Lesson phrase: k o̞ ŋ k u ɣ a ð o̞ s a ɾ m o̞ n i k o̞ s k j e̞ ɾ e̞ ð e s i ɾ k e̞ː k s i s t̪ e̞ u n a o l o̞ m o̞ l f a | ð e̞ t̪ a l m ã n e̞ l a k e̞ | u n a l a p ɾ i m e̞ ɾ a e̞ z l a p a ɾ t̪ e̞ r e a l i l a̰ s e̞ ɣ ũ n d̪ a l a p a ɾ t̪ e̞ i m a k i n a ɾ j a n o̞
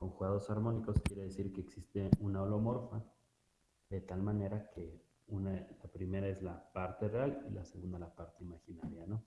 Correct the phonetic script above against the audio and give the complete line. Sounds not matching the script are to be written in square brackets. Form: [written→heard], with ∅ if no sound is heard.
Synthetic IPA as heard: k o̞ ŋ [k→x] u ɣ a ð o̞ s a ɾ m o̞ n i k o̞ s k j e̞ ɾ e̞ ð e s i ɾ k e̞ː k s i s t̪ e̞ u n a o l o̞ m o̞ [l→ɾ] f a | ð e̞ t̪ a l m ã n e̞ [l→ɾ] a k e̞ | u n a l a p ɾ i m e̞ ɾ a e̞ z l a p a ɾ t̪ e̞ r e a l i l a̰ s e̞ ɣ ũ n d̪ a l a p a ɾ t̪ e̞ i m a [k→x] i n a ɾ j a n o̞